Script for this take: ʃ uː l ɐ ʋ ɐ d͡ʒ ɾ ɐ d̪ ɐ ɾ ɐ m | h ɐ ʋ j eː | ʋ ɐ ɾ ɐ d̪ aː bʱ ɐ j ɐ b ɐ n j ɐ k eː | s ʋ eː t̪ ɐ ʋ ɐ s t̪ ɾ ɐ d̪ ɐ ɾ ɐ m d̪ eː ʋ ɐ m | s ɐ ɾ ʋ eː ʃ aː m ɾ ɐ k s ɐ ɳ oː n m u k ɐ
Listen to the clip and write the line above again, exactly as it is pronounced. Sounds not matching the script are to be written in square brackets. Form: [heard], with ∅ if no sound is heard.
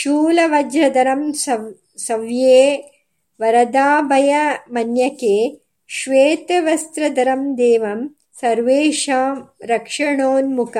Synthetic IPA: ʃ uː l ɐ ʋ ɐ d͡ʒ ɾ ɐ d̪ ɐ ɾ ɐ m | [s] ɐ ʋ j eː | ʋ ɐ ɾ ɐ d̪ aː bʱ ɐ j ɐ [m] ɐ n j ɐ k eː | [ʃ] ʋ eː t̪ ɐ ʋ ɐ s t̪ ɾ ɐ d̪ ɐ ɾ ɐ m d̪ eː ʋ ɐ m | s ɐ ɾ ʋ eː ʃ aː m ɾ ɐ k [ʂ] ɐ ɳ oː n m u k ɐ